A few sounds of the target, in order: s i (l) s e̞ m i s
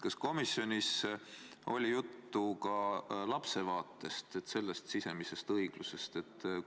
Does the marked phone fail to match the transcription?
yes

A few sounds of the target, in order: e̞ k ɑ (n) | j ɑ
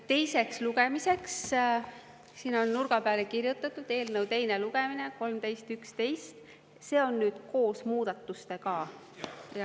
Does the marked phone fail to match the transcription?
yes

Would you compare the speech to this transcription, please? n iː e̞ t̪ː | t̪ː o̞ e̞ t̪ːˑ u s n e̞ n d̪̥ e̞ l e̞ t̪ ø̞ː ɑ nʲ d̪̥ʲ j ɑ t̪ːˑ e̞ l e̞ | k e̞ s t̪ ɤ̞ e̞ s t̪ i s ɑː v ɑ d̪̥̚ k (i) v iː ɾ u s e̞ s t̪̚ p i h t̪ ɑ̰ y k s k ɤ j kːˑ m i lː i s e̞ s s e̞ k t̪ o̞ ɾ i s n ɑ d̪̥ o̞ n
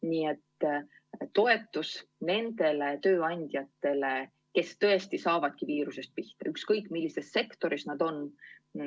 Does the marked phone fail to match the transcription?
no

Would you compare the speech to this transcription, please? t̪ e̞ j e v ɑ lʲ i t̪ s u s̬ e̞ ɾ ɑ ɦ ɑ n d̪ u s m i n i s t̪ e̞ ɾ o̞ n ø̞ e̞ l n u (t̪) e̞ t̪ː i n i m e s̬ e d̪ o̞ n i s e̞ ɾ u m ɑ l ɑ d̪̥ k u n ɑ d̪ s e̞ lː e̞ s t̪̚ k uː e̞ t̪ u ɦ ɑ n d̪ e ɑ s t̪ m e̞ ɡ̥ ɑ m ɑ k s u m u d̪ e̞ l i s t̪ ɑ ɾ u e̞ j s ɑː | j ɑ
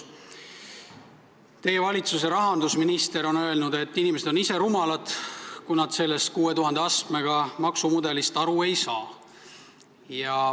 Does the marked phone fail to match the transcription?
yes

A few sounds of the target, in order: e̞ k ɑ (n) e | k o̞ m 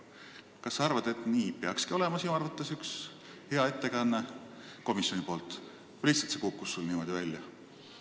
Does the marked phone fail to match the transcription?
yes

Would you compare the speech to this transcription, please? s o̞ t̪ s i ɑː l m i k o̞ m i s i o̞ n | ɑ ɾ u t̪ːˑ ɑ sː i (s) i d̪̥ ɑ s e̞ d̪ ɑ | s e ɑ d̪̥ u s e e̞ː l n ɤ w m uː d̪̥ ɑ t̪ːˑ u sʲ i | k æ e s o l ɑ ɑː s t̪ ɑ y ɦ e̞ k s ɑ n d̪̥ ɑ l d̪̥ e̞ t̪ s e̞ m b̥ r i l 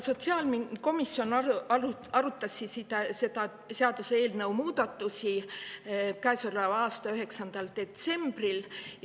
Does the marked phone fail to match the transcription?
no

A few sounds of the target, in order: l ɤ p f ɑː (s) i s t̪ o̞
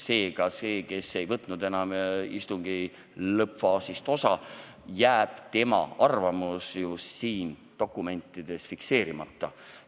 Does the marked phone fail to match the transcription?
no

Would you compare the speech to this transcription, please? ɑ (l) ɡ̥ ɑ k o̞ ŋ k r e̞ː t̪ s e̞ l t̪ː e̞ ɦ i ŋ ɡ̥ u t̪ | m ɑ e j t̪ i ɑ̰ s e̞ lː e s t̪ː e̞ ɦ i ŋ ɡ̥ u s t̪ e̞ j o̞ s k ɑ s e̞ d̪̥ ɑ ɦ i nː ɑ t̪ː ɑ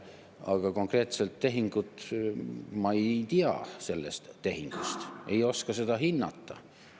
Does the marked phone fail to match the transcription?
yes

